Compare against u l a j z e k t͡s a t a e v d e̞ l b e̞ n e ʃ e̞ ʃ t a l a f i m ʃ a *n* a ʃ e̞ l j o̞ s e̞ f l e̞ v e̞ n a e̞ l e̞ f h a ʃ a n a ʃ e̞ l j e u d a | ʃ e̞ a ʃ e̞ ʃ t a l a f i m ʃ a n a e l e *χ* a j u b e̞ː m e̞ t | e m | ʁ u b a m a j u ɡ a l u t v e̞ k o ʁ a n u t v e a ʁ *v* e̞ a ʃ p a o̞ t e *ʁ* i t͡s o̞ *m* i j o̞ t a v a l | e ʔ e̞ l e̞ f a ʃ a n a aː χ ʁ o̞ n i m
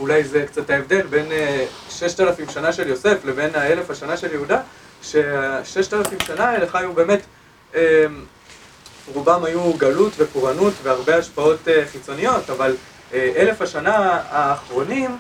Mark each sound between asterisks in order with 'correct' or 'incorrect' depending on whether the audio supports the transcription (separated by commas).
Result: correct, correct, incorrect, incorrect, incorrect